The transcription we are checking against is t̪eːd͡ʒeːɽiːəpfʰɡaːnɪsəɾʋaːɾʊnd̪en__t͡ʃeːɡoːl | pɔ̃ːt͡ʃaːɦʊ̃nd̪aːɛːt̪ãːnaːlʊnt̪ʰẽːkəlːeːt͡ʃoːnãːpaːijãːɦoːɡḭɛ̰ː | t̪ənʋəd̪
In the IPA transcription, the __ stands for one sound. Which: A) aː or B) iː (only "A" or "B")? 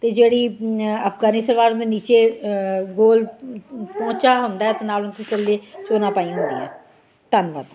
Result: B